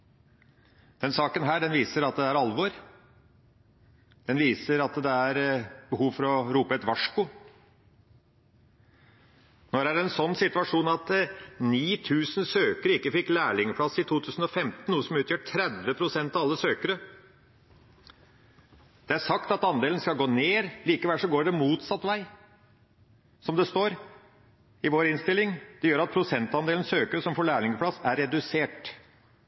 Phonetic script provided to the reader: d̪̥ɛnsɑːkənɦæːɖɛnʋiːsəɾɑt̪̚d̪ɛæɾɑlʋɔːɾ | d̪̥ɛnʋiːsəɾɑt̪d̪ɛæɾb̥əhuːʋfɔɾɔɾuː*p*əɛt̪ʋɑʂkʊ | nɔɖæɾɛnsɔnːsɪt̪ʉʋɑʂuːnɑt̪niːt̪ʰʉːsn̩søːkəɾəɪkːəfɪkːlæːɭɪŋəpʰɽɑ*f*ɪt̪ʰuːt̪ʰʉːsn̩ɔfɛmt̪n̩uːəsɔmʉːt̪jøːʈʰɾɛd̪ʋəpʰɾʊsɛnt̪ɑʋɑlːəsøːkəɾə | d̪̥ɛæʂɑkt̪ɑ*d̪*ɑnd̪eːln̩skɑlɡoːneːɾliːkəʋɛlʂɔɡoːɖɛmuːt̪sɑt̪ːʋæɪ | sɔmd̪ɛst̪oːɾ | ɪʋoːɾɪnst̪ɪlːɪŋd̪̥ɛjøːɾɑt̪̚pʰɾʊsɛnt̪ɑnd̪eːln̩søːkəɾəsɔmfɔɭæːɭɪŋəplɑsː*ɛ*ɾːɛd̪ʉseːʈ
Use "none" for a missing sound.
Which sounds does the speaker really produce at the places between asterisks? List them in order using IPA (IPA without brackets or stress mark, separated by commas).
p, s, t̪, æ